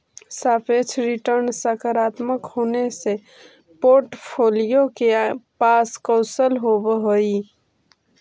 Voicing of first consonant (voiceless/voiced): voiceless